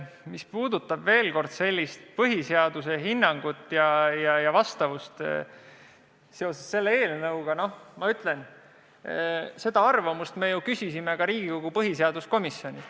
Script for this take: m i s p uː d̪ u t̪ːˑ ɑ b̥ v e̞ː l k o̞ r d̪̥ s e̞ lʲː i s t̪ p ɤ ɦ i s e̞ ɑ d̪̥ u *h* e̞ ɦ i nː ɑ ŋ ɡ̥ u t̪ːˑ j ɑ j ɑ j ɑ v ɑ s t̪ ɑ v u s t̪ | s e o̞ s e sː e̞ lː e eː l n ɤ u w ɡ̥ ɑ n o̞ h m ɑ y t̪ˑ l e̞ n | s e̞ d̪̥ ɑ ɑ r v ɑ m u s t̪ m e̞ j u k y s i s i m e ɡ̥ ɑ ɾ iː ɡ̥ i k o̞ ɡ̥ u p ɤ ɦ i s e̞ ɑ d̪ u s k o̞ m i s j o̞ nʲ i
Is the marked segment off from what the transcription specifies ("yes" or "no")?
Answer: yes